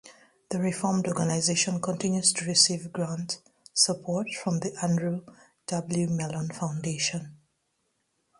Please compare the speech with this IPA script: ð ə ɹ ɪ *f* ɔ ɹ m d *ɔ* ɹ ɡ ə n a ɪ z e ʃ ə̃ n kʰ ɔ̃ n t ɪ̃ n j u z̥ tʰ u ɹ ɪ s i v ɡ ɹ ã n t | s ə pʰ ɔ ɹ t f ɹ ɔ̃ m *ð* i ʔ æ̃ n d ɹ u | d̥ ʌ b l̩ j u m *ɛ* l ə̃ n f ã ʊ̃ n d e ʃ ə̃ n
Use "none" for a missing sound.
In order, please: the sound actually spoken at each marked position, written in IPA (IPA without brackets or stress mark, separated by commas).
f, ɔ, ð, ɛ